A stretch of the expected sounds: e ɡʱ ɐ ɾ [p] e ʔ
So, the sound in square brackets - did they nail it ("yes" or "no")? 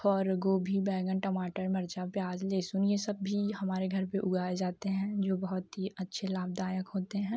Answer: yes